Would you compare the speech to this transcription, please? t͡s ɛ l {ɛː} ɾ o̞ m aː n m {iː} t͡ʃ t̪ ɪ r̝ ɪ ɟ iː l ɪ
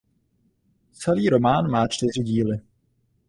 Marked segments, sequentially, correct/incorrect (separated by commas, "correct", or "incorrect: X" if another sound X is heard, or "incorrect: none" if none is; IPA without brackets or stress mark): incorrect: iː, incorrect: aː